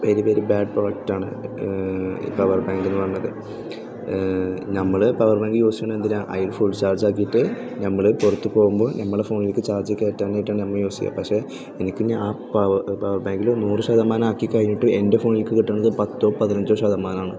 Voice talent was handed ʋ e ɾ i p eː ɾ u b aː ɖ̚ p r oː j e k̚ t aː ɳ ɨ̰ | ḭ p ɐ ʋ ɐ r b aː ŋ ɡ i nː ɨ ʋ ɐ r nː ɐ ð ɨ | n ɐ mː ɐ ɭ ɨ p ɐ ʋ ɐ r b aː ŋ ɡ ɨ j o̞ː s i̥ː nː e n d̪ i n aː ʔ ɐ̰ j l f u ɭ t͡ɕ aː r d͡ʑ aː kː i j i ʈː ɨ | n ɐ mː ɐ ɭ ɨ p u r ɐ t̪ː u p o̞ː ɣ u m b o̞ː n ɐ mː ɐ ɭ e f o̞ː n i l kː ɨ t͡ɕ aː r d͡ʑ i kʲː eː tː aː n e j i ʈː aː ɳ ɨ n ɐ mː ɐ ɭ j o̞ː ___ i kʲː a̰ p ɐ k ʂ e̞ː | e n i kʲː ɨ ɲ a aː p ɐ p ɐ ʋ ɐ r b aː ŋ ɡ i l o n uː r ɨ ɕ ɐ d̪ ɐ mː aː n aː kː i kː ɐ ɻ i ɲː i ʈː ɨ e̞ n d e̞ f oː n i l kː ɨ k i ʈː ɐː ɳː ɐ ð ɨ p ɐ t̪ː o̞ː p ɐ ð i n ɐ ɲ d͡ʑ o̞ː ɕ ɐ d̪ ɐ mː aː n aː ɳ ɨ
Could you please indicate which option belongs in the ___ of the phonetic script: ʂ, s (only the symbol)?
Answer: s